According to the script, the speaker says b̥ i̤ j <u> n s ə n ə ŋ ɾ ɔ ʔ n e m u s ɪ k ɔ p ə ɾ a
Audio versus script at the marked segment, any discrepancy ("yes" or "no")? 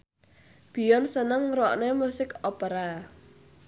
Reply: yes